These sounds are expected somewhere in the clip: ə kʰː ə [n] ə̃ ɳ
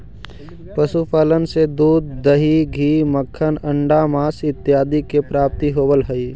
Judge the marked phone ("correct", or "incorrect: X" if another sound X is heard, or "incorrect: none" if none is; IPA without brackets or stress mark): correct